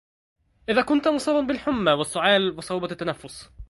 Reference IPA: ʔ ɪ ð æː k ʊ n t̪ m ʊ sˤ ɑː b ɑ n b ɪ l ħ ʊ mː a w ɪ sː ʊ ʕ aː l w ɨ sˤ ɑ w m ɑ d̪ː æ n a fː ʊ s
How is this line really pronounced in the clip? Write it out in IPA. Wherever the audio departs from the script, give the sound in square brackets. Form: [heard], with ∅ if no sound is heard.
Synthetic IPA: ʔ ɪ ð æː k ʊ n t̪ m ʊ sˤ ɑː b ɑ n b ɪ l ħ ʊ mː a w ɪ sː ʊ ʕ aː l w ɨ sˤ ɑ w [b] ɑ [t̪ː] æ n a fː ʊ s